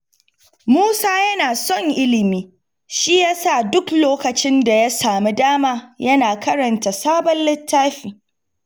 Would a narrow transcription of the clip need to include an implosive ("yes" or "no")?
no